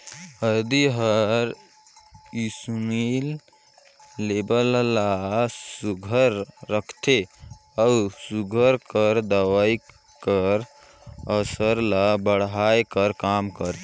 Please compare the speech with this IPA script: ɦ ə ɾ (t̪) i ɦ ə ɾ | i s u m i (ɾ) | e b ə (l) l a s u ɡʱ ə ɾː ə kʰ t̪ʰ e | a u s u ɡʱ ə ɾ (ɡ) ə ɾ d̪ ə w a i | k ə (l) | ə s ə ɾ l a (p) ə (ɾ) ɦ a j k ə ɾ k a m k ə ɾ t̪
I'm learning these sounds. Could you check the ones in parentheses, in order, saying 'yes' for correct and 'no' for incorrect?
no, no, yes, no, no, no, no

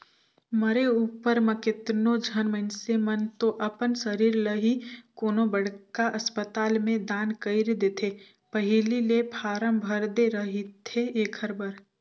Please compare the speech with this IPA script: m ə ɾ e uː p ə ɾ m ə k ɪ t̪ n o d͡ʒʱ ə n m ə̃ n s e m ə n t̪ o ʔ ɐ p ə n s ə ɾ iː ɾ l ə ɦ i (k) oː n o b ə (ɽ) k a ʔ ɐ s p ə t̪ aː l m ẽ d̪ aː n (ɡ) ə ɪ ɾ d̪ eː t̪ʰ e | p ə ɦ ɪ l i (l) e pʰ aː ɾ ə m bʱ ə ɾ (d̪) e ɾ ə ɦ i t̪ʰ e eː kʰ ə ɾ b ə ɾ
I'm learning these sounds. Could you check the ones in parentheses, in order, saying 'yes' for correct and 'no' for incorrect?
yes, yes, no, yes, yes

